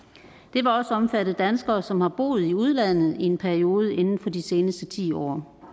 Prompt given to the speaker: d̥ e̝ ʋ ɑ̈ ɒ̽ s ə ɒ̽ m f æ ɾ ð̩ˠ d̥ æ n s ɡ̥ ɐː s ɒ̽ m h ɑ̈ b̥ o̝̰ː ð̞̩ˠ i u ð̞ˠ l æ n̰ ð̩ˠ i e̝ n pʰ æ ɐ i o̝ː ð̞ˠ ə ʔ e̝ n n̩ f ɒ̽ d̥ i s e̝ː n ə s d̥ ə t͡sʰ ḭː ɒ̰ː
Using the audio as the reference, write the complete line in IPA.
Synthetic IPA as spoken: d̥ e̝ ʋ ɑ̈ ɒ̽ s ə ɒ̽ m f æ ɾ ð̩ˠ d̥ æ n s ɡ̥ ɐː s ɒ̽ m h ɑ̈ b̥ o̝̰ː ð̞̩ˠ i u ð̞ˠ l æ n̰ ð̩ˠ i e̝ n pʰ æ ɐ i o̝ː ð̞ˠ ə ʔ e̝ n n̩ f ɒ̽ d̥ i s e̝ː n ə s d̥ ə t͡sʰ ḭː ɒ̰ː